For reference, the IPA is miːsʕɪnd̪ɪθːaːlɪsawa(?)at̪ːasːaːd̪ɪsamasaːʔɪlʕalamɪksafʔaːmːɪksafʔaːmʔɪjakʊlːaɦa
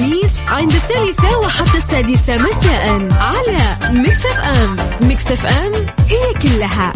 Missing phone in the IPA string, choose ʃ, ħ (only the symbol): ħ